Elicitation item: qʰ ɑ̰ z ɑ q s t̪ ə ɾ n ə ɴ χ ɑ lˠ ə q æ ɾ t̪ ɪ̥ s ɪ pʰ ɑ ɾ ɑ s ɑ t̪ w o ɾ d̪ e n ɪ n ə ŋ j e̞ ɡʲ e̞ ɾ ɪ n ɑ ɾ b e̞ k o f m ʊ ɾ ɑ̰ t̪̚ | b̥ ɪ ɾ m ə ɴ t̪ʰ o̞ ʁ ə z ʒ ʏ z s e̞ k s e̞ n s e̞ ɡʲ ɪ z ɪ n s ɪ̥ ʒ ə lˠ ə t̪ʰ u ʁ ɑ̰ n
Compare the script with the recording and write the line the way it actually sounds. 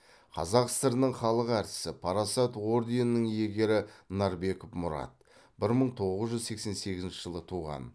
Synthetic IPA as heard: qʰ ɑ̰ z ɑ q s t̪ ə ɾ n ə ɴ χ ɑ lˠ ə q æ ɾ t̪ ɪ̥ s ɪ pʰ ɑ ɾ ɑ s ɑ t̪ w o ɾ d̪ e n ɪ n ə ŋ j e̞ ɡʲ e̞ ɾ ɪ n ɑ ɾ b e̞ k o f m ʊ ɾ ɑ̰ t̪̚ | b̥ ɪ ɾ m ə ɴ t̪ʰ o̞ ʁ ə z ʒ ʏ z s e̞ k s e̞ n s e̞ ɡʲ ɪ z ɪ n ʃ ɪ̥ ʒ ə lˠ ə t̪ʰ u ʁ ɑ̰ n